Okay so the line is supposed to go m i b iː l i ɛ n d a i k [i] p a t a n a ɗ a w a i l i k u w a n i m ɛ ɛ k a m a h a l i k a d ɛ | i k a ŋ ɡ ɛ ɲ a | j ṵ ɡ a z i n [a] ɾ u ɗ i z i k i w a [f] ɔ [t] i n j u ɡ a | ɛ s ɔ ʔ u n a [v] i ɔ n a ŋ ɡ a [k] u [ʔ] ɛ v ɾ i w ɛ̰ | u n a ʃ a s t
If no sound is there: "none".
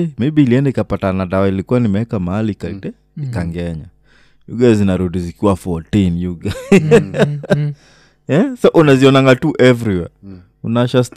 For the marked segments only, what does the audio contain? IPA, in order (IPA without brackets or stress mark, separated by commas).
a, a, f, t, z, t, ʔ